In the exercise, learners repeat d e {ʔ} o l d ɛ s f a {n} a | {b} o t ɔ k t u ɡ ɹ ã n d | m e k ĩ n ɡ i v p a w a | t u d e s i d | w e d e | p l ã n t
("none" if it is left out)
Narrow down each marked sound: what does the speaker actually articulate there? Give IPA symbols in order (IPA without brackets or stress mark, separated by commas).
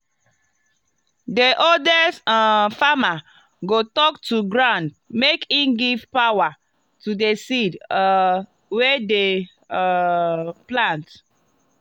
ʔ, m, ɡ